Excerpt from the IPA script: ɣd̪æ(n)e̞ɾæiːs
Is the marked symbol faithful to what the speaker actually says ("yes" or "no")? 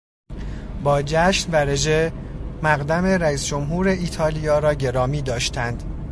no